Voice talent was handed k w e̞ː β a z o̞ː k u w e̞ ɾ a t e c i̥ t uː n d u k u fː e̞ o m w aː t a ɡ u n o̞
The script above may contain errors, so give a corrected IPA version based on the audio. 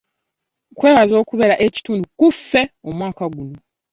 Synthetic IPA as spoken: k w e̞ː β a z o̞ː k u β e̞ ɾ a ʔ e c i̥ t uː n d u k u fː e̞ o m w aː k a ɡ u n o̞